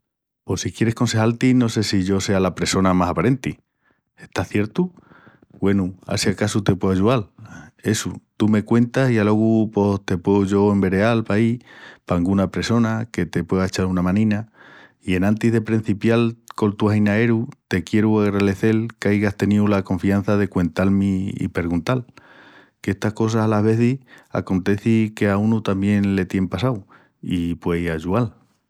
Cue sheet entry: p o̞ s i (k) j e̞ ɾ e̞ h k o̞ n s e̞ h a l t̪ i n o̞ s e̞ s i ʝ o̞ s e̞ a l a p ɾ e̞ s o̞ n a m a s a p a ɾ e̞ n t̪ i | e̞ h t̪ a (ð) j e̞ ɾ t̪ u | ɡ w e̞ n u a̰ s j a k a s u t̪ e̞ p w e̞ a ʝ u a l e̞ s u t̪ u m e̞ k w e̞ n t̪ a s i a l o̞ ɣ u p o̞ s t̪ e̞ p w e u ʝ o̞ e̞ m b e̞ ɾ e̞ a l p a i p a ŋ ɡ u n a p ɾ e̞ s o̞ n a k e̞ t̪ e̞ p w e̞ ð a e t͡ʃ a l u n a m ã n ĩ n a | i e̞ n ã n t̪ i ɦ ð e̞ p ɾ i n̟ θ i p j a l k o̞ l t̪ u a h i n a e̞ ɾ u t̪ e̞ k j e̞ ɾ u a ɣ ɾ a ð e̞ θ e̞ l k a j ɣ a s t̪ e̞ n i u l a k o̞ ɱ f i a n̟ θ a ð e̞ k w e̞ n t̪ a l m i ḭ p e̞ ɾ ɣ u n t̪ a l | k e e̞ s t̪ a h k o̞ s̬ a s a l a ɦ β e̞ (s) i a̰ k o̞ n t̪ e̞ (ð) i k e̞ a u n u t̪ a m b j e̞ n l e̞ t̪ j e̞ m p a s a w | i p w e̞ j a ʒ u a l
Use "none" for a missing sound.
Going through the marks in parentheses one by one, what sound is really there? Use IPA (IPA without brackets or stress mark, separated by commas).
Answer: k, θ, θ, θ